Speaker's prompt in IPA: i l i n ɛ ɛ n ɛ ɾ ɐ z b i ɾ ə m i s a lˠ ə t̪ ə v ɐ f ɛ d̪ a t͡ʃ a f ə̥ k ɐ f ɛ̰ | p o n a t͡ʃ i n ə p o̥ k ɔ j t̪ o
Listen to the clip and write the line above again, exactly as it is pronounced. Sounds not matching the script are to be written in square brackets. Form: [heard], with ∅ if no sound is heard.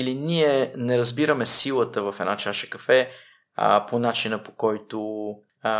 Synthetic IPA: i l i n [i] ɛ n ɛ ɾ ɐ z b i ɾ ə m [ɛ] s [i] lˠ ə t̪ ə v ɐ f ɛ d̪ a t͡ʃ a [ʃ] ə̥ k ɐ f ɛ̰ | p o n a t͡ʃ i n ə p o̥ k ɔ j t̪ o